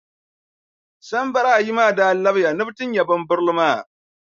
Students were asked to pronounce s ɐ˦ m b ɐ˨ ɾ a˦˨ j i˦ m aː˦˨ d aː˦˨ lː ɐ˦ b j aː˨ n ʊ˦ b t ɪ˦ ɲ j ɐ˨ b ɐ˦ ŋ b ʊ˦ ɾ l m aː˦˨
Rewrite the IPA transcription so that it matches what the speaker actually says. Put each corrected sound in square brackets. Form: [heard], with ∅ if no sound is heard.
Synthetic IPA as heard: s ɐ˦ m b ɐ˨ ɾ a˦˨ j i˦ m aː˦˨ d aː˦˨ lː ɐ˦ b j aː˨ n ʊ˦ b t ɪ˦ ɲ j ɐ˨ b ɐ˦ [m] b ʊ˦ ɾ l m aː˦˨